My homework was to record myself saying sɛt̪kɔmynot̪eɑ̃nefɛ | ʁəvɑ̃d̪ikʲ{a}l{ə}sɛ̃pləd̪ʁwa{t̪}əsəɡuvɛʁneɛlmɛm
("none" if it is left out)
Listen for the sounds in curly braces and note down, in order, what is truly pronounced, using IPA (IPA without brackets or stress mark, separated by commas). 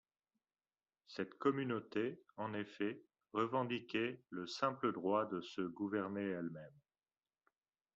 ɛ, ə, d̪